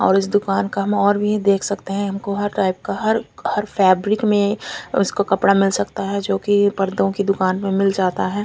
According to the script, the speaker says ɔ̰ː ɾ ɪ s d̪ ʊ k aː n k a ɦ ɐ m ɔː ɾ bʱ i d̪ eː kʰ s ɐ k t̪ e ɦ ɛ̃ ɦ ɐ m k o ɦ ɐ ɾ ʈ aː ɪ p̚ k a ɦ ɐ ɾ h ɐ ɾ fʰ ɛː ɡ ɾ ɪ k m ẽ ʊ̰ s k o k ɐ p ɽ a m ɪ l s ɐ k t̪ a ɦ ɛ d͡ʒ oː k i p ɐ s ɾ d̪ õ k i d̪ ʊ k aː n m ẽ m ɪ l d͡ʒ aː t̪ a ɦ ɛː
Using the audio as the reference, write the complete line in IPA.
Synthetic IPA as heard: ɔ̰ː ɾ ɪ s d̪ ʊ k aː n k a ɦ ɐ m ɔː ɾ bʱ i d̪ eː kʰ s ɐ k t̪ e ɦ ɛ̃ ɦ ɐ m k o ɦ ɐ ɾ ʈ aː ɪ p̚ k a ɦ ɐ ɾ h ɐ ɾ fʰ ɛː b ɾ ɪ k m ẽ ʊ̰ s k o k ɐ p ɽ a m ɪ l s ɐ k t̪ a ɦ ɛ d͡ʒ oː k i p ɐ ɾ d̪ õ k i d̪ ʊ k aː n m ẽ m ɪ l d͡ʒ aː t̪ a ɦ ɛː